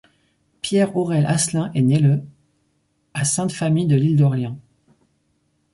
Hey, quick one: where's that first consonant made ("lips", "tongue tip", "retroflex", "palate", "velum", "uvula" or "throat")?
lips